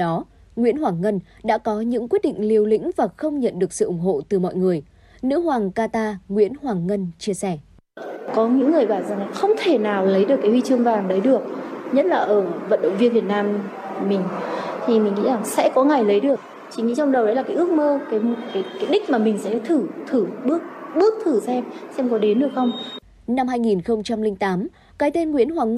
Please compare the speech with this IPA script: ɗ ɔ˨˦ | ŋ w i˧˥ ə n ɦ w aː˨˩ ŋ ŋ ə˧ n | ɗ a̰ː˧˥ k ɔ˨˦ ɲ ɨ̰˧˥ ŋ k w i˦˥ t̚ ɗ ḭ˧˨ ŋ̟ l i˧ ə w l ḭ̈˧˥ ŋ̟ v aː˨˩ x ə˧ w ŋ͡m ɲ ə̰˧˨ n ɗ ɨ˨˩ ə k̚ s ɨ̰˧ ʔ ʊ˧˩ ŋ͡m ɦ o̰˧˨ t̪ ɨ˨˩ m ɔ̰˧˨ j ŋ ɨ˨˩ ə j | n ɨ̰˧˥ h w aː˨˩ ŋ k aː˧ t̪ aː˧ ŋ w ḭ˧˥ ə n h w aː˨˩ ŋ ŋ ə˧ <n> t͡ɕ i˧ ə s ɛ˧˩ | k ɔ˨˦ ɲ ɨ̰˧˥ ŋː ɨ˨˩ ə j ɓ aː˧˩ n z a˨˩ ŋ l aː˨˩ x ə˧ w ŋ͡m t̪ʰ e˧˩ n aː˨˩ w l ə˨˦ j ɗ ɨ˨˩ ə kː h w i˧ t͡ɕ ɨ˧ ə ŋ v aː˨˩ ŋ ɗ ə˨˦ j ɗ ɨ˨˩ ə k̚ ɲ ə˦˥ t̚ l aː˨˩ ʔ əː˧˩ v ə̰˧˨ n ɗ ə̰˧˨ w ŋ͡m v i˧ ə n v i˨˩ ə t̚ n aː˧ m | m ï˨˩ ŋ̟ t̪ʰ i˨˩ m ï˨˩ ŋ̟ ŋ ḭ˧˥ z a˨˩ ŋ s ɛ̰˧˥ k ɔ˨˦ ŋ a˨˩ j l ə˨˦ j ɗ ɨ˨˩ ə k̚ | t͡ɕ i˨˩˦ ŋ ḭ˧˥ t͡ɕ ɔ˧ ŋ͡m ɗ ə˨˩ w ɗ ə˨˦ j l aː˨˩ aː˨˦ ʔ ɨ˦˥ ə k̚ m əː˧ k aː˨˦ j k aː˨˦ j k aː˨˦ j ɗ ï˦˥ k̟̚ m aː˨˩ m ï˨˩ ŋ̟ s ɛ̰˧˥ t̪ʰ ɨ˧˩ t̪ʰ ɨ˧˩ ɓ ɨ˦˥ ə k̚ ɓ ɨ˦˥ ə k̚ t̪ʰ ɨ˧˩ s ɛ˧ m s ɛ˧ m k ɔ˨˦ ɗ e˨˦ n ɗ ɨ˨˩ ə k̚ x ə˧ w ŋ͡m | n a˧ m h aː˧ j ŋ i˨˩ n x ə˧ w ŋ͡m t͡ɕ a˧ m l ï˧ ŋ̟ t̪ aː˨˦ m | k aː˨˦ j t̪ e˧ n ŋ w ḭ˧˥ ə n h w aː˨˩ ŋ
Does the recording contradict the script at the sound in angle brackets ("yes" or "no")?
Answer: no